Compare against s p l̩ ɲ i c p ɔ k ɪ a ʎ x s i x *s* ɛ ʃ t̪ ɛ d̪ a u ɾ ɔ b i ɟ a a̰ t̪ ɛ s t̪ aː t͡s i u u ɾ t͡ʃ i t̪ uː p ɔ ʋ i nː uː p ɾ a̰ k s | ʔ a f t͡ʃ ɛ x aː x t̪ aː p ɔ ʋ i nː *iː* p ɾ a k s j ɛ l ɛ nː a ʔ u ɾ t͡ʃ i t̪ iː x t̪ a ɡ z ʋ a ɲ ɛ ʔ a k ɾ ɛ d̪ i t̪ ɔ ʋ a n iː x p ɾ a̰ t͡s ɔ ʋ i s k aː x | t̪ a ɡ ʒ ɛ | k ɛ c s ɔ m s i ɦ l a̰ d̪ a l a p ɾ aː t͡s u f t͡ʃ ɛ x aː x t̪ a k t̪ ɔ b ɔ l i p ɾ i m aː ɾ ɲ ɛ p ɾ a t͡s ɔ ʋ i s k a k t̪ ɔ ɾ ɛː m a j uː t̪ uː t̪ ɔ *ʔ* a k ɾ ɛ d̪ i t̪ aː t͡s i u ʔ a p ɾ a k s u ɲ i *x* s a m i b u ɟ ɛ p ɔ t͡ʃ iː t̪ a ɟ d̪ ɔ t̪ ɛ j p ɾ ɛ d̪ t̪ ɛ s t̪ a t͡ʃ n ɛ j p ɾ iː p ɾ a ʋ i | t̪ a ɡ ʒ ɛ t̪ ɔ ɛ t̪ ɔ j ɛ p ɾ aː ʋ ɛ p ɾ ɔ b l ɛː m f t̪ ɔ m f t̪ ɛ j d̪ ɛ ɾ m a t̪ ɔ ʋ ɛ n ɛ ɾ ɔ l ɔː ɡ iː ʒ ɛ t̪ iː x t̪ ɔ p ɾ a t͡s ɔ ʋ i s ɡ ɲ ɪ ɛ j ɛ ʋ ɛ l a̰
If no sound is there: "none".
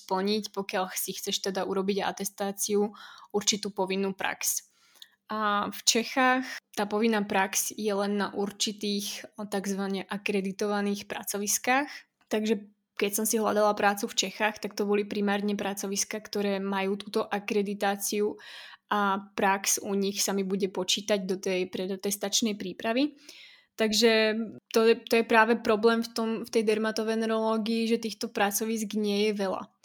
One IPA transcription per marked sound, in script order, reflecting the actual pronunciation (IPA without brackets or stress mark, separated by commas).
t͡s, aː, ʔ, x